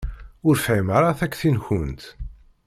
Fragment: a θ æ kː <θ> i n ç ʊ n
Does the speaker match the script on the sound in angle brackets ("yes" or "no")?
yes